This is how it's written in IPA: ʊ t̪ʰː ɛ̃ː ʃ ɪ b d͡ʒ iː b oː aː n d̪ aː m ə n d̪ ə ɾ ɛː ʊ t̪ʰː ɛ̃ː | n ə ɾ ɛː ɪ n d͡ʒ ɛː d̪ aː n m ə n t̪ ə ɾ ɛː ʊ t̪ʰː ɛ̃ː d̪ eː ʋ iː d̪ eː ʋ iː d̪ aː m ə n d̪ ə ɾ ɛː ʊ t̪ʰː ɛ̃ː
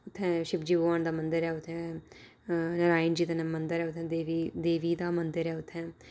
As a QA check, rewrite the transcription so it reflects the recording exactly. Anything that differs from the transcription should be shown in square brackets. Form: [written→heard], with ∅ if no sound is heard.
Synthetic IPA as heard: ʊ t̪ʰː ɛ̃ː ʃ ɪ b d͡ʒ iː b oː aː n d̪ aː m ə n d̪ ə ɾ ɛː ʊ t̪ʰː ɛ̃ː | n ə ɾ [ɛː→aː] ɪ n d͡ʒ [ɛː→iː] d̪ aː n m ə n [t̪→d̪] ə ɾ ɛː ʊ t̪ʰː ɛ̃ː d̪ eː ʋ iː d̪ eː ʋ iː d̪ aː m ə n d̪ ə ɾ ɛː ʊ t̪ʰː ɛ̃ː